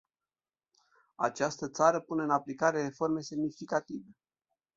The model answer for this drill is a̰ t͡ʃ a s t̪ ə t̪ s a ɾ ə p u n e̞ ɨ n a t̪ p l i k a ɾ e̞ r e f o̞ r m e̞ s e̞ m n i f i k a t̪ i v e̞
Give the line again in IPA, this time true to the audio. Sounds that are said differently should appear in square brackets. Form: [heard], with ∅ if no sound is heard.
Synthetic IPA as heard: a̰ t͡ʃ a s t̪ ə t̪ s a ɾ ə p u n e̞ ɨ n a [∅] p l i k a ɾ e̞ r e f o̞ r m e̞ s e̞ m n i f i k a t̪ i v e̞

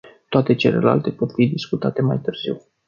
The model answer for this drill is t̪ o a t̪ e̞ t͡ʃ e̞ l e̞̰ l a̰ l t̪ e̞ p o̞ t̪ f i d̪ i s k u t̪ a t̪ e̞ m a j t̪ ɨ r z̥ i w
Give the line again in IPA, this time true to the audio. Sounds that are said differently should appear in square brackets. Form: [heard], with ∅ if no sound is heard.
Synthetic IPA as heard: t̪ o a t̪ e̞ t͡ʃ e̞ l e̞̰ l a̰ l t̪ e̞ p o̞ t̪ f i d̪ i s k u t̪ a t̪ e̞ m a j t̪ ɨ r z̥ i w

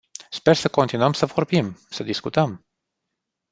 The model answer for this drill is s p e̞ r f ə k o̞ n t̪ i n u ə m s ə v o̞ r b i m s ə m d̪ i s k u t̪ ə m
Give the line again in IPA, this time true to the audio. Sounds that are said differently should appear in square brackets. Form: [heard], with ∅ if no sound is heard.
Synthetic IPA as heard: s p e̞ r [s] ə k o̞ n t̪ i n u ə m s ə v o̞ r b i m s ə [∅] d̪ i s k u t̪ ə m

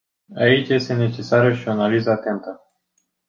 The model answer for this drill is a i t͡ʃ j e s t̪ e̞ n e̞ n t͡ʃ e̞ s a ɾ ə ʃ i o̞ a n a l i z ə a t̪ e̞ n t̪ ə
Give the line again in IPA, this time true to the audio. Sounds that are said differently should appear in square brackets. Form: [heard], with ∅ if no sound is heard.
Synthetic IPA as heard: a i t͡ʃ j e s t̪ e̞ n e̞ [∅] t͡ʃ e̞ s a ɾ ə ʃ i o̞ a n a l i z ə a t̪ e̞ n t̪ ə

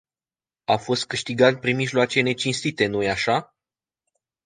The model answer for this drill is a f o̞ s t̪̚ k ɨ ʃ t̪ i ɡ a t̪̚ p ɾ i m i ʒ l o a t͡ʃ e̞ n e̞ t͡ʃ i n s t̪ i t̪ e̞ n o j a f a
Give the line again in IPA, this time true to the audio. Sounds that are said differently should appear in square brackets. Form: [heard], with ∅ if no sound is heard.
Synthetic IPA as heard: a f o̞ s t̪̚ k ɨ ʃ t̪ i ɡ a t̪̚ p ɾ i m i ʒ l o a t͡ʃ e̞ n e̞ t͡ʃ i n s t̪ i t̪ e̞ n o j a [ʃ] a

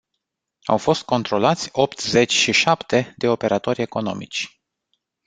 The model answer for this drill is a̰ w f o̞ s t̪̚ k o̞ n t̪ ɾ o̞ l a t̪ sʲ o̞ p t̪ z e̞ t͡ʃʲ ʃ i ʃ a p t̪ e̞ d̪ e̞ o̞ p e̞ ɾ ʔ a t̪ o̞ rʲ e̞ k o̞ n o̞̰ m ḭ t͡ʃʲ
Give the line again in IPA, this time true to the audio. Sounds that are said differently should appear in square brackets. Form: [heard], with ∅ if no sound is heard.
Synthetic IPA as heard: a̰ w f o̞ s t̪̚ k o̞ n t̪ ɾ o̞ l a t̪ sʲ o̞ p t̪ z e̞ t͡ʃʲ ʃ i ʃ a p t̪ e̞ d̪ e̞ o̞ p e̞ ɾ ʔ a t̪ o̞ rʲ e̞ k o̞ n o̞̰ m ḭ t͡ʃʲ

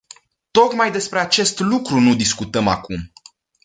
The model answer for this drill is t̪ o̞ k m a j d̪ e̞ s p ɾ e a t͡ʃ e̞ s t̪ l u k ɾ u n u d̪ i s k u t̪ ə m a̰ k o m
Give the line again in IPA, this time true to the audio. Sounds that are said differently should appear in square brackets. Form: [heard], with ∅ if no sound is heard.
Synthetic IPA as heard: t̪ o̞ k m a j d̪ e̞ s p ɾ e a t͡ʃ e̞ s t̪ l u k ɾ u n u d̪ i s k u t̪ ə m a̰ k [u] m

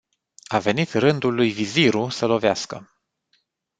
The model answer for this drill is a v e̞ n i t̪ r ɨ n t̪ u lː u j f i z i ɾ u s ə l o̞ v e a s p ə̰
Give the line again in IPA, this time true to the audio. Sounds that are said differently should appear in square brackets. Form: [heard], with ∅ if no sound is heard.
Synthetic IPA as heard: a v e̞ n i t̪ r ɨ n [d̪] u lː u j [v] i z i ɾ u s ə l o̞ v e a s [k] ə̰

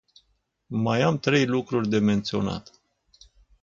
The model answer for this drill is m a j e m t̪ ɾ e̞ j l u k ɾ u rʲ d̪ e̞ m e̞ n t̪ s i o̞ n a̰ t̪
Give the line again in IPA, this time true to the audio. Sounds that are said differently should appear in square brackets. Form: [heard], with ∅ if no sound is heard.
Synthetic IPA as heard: m a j [a] m t̪ ɾ e̞ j l u k ɾ u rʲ d̪ e̞ m e̞ n t̪ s i o̞ n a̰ t̪

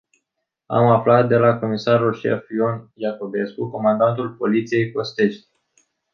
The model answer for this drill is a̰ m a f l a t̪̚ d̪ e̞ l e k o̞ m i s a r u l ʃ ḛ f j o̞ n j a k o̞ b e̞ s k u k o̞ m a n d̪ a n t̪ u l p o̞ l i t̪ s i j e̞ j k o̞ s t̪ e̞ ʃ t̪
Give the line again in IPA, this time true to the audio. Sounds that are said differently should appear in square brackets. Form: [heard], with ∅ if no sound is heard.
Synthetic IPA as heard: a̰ m a f l a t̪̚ d̪ e̞ l [a] k o̞ m i s a r u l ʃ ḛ f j o̞ n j a k o̞ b e̞ s k u k o̞ m a n d̪ a n t̪ u l p o̞ l i t̪ s i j e̞ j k o̞ s t̪ e̞ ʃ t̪

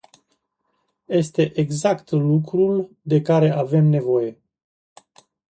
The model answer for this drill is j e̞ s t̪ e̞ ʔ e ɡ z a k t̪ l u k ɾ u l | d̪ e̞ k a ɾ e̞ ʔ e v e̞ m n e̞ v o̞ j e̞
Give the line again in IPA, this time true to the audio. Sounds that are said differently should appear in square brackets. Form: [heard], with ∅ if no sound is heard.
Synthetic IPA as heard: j e̞ s t̪ e̞ ʔ e ɡ z a k t̪ l u k ɾ u l | d̪ e̞ k a ɾ e̞ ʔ [a] v e̞ m n e̞ v o̞ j e̞

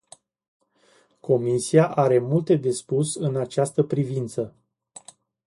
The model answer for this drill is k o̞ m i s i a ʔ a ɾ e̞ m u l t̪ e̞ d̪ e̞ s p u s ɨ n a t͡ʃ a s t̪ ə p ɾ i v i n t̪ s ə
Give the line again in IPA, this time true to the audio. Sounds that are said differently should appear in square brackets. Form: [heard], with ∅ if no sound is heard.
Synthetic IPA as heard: k o̞ m i s i a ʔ a ɾ e̞ m u l t̪ e̞ d̪ e̞ s p u s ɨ n a t͡ʃ a s t̪ ə p ɾ i v i n t̪ s ə

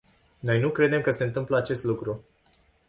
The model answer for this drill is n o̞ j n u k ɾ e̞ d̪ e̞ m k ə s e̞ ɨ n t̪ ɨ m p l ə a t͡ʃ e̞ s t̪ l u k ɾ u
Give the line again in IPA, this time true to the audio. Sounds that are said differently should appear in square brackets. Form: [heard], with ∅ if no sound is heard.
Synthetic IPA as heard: n o̞ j n u k ɾ e̞ d̪ e̞ m k ə s e̞ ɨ n t̪ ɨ m p l ə a t͡ʃ e̞ s t̪ l u k ɾ u

